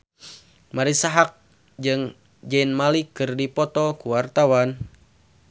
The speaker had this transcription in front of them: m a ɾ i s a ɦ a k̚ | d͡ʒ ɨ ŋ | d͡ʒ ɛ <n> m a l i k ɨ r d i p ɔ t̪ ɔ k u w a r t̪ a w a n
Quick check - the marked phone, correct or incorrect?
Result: correct